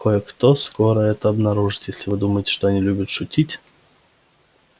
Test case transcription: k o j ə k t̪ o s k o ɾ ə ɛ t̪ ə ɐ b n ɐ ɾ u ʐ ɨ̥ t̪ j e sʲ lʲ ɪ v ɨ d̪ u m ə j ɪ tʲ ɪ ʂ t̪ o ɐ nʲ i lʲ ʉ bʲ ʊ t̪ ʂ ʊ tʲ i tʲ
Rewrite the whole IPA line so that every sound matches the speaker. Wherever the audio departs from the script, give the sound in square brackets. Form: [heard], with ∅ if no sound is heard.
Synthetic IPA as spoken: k o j ə k t̪ o s k o ɾ ə ɛ t̪ ə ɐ b n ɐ ɾ u ʐ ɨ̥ t̪ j e sʲ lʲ ɪ v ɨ d̪ u m ə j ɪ tʲ ɪ ʂ t̪ o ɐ nʲ i lʲ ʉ bʲ ʊ t̪ ʂ ʊ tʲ i tʲ